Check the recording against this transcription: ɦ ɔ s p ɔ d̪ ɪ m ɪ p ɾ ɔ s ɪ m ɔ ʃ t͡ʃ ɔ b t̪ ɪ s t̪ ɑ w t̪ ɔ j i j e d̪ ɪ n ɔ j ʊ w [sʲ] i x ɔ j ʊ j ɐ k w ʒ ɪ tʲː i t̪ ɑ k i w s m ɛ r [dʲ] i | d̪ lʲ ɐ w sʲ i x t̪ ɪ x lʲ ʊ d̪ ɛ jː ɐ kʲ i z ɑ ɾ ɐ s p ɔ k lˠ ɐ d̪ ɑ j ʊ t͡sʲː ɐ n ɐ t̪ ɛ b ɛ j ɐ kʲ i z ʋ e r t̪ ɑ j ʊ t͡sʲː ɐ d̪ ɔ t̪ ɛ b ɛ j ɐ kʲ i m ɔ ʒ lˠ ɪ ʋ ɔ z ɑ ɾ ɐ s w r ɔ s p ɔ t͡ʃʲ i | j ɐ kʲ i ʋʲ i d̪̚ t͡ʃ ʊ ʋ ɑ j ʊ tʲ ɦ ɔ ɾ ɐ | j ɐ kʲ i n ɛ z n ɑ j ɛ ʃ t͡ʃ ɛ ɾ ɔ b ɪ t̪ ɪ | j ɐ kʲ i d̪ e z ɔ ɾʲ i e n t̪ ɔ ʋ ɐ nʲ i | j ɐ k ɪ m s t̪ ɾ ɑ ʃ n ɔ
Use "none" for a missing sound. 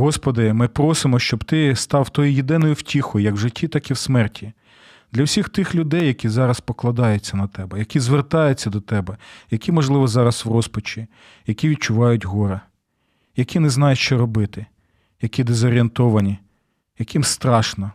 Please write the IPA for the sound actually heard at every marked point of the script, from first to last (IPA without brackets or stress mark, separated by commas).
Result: tʲ, tʲ